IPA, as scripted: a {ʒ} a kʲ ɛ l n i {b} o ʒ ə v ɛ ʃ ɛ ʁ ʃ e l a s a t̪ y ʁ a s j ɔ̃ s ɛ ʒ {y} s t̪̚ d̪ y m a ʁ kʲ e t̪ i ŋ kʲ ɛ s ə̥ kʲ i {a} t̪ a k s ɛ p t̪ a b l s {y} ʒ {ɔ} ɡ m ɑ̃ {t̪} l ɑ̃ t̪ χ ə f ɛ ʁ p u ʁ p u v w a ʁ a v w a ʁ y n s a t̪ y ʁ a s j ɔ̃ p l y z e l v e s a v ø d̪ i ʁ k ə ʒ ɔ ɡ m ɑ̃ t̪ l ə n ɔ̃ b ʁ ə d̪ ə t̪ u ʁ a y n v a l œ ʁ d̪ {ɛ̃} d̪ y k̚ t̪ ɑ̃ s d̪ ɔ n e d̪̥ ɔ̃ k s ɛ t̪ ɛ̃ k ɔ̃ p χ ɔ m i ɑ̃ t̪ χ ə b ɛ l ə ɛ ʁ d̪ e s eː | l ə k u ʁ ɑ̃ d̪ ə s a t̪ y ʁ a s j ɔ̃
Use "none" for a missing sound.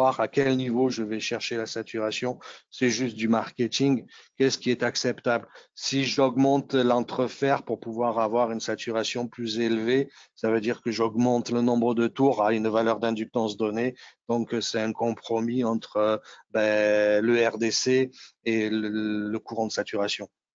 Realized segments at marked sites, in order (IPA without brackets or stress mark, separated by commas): ʁ, v, y, ɛ, i, ɔ, t̪, ɛ̃